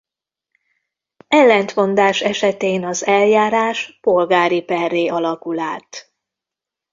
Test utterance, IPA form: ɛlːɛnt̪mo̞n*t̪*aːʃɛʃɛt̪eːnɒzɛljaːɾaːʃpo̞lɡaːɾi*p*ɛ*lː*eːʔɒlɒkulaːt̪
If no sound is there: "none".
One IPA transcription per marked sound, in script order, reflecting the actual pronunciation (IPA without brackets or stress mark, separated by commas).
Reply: d̪, p, rː